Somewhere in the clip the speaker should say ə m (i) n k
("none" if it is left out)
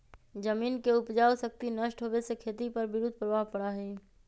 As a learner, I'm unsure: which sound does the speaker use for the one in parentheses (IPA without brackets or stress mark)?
iː